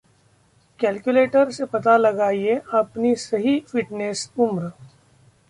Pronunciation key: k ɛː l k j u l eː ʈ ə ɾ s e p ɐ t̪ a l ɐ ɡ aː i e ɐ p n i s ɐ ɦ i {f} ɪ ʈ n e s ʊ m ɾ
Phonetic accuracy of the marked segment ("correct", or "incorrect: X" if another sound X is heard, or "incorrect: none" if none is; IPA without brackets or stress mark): correct